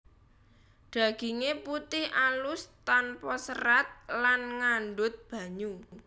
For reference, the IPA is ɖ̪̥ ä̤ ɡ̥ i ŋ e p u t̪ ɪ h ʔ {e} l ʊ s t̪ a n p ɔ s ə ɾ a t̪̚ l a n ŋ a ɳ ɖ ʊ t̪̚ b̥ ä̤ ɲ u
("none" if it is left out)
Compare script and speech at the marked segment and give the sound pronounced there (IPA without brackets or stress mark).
a